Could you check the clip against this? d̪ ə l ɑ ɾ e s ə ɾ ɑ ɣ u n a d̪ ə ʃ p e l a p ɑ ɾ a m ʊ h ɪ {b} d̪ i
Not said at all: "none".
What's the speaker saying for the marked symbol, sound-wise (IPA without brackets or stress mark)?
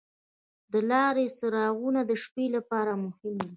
m